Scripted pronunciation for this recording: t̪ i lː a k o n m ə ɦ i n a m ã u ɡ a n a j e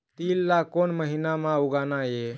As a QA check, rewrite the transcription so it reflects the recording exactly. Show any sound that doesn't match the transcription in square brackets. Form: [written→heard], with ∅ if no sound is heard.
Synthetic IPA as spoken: t̪ i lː a k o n m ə ɦ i n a m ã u ɡ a n a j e